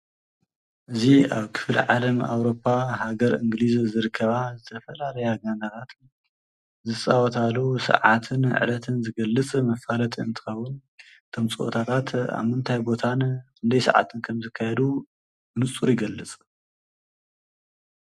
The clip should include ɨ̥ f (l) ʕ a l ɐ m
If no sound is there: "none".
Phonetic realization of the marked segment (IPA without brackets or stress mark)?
l